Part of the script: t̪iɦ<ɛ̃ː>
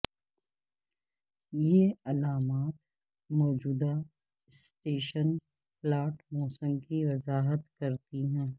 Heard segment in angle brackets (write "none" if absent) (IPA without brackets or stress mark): ɛ̃ː